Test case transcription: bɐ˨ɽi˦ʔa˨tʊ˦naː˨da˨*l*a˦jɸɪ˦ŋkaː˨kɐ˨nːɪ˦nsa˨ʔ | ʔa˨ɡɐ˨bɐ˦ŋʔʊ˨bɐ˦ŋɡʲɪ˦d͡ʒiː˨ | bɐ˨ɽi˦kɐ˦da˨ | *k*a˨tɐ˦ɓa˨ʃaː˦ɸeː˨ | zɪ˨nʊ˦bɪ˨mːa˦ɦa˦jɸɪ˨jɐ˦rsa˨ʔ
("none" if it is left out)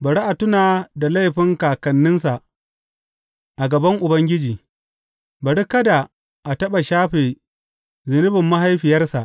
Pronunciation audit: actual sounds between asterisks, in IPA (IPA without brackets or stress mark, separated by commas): l, ʔ